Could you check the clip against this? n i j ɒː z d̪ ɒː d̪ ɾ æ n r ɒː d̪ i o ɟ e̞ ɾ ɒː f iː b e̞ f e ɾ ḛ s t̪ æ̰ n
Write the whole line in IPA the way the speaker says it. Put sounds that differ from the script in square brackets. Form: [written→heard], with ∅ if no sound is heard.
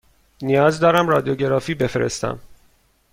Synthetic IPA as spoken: n i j ɒː z d̪ ɒː [d̪→∅] ɾ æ [n→m] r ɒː d̪ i o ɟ e̞ ɾ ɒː f iː b e̞ f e ɾ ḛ s t̪ æ̰ [n→m]